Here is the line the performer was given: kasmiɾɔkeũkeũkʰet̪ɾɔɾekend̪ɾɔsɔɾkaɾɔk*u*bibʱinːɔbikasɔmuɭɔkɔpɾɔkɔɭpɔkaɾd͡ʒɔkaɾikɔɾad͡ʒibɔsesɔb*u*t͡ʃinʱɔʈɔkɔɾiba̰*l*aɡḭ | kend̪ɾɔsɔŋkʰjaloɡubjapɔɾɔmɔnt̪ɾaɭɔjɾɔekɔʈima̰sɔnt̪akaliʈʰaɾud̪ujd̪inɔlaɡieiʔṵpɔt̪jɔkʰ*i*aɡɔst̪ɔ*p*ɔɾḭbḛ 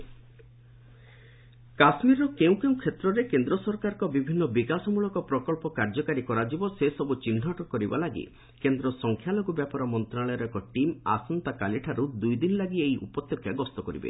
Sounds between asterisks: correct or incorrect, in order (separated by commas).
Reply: incorrect, correct, correct, incorrect, incorrect